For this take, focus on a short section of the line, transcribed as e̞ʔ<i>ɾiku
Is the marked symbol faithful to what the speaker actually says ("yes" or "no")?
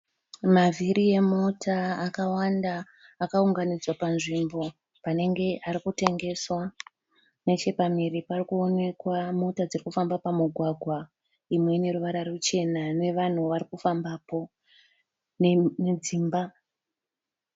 no